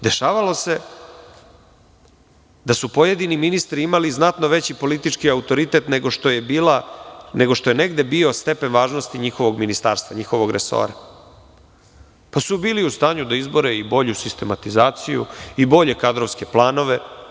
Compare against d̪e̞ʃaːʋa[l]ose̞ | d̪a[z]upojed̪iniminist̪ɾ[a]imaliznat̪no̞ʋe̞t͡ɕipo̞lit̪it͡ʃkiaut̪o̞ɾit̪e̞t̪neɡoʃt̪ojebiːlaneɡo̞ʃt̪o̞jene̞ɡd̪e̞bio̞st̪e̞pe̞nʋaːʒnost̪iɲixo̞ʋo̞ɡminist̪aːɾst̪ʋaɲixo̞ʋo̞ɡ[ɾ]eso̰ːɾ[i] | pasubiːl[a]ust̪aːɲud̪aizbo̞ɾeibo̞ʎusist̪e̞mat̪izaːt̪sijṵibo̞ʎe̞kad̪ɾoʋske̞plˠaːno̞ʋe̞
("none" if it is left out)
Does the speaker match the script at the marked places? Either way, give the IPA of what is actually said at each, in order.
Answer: l, s, i, ɾ, a, i

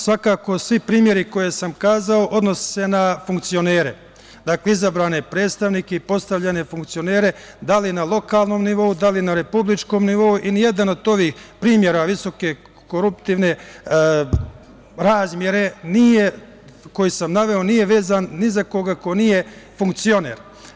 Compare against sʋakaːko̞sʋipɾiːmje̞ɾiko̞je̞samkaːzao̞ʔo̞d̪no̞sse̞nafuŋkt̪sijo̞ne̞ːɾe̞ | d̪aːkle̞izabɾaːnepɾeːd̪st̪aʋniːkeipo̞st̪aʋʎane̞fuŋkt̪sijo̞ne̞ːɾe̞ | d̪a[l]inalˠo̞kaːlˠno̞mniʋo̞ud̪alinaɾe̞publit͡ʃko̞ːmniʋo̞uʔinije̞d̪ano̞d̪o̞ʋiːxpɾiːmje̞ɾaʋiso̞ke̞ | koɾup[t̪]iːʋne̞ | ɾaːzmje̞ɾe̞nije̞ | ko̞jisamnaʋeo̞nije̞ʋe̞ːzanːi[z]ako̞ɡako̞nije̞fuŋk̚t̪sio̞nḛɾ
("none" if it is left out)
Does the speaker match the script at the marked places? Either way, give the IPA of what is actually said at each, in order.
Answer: l, t̪, z

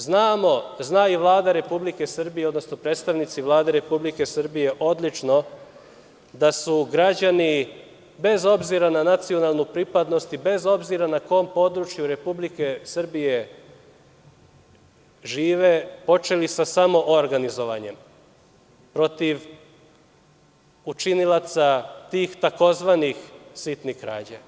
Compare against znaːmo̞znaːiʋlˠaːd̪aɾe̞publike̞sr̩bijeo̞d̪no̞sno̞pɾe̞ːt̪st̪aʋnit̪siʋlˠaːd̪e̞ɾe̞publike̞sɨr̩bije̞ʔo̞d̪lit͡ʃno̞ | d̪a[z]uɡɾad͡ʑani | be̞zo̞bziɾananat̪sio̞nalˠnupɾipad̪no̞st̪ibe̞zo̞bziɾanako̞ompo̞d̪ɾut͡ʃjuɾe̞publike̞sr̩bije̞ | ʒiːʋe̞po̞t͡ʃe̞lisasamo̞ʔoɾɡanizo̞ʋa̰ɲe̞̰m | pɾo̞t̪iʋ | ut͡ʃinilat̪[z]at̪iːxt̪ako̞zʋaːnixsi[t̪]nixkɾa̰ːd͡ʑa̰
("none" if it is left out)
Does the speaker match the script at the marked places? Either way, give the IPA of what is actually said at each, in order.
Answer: s, s, t̪

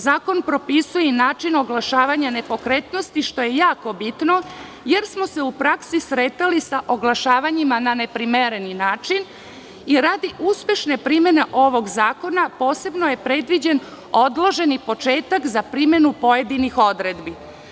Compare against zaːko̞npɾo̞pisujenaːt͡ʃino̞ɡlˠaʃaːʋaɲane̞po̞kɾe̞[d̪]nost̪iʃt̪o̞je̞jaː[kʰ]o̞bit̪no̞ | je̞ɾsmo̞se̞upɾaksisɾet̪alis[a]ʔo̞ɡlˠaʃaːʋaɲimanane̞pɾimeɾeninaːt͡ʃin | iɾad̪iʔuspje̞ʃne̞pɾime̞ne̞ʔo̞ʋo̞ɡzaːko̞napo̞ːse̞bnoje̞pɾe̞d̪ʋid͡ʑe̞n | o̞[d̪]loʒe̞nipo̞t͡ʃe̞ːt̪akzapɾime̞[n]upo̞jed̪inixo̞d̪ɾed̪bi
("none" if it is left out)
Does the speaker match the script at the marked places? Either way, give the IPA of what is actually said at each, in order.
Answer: t̪, k, a, d̪, n

